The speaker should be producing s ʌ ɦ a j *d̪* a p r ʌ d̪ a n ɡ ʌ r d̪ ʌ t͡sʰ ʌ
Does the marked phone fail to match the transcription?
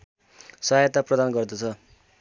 yes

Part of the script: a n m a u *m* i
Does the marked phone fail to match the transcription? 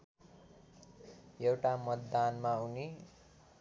yes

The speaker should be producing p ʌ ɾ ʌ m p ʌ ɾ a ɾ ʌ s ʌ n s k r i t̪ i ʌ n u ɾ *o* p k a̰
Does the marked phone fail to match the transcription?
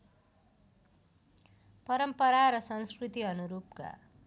yes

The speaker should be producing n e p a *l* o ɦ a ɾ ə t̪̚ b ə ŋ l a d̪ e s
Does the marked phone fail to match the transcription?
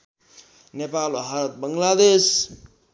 no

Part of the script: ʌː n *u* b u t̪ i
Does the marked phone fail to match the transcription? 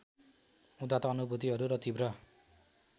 no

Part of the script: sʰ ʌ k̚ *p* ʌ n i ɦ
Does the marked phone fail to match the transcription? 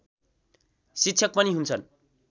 no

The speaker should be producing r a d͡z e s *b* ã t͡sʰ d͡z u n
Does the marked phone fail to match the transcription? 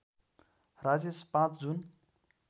yes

